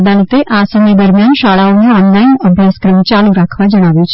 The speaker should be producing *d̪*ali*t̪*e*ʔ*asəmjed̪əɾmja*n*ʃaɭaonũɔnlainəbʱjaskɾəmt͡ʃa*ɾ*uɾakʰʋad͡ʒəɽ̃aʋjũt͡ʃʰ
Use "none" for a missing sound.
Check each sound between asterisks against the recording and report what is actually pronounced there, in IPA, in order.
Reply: d̪, t̪, ʔ, n, l

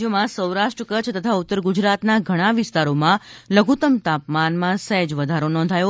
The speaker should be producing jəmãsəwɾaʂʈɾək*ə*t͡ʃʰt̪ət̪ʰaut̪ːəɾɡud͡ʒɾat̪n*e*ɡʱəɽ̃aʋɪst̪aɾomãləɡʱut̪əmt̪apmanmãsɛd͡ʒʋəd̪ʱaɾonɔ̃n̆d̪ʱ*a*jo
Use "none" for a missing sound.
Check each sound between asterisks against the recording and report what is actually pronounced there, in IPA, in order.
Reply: ə, a, a

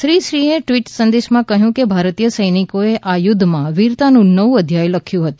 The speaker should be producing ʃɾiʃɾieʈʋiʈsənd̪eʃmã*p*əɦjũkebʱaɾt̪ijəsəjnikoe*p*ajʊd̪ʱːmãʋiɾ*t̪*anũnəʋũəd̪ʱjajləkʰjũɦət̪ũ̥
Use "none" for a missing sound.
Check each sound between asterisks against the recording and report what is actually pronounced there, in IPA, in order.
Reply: k, ʔ, t̪

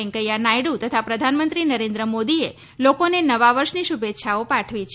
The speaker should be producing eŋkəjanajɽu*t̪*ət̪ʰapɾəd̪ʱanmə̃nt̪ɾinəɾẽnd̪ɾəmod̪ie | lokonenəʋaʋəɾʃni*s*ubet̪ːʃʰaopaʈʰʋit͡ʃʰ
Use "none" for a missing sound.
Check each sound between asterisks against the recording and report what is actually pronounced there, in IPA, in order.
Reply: t̪, ʃ

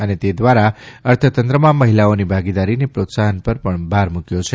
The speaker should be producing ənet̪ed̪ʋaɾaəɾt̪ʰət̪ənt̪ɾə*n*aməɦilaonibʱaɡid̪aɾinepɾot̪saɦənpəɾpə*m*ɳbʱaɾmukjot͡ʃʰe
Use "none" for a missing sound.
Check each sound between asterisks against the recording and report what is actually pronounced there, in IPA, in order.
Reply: m, none

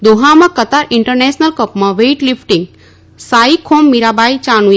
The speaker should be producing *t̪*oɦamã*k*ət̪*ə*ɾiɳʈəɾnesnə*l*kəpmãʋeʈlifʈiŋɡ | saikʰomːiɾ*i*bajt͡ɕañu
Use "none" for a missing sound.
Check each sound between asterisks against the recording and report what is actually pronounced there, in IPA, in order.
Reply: d̪, k, a, l, a

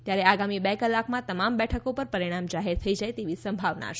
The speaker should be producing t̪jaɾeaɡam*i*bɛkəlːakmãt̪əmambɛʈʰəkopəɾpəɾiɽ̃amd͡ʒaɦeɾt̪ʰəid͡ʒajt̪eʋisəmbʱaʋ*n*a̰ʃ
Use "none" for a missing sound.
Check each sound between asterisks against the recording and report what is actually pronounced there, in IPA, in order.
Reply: i, n

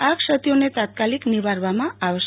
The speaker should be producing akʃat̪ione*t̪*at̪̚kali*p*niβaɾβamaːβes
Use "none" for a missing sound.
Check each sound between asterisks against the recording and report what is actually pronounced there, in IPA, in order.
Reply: t̪, k

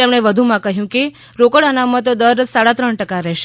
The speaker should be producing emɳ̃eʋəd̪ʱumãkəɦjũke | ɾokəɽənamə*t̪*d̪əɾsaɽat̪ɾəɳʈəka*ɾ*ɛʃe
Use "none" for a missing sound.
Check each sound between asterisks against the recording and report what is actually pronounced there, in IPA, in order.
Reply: t̪, ɾ

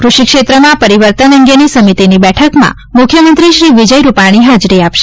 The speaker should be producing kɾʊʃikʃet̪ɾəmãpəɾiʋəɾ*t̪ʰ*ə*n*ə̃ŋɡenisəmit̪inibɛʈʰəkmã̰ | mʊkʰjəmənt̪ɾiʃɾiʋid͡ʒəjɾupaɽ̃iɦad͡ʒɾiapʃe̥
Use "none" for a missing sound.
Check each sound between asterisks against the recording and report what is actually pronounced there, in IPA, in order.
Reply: t̪, n

